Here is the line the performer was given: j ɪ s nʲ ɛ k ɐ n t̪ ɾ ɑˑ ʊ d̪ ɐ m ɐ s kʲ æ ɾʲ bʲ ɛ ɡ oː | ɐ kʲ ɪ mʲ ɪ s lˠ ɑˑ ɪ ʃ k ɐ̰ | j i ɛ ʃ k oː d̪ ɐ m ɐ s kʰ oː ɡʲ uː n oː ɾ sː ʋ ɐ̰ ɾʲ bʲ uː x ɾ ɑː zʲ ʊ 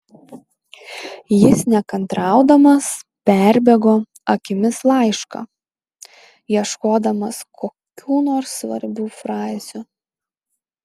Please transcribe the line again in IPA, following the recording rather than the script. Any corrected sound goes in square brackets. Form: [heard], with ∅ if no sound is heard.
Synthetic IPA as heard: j ɪ s nʲ ɛ k ɐ n t̪ ɾ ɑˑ ʊ d̪ ɐ m ɐ s [pʲ] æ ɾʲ bʲ ɛ ɡ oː | ɐ kʲ ɪ mʲ ɪ s lˠ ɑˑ ɪ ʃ k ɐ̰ | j i ɛ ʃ k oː d̪ ɐ m ɐ s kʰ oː [kʲ] uː n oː ɾ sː ʋ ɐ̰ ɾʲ bʲ uː [f] ɾ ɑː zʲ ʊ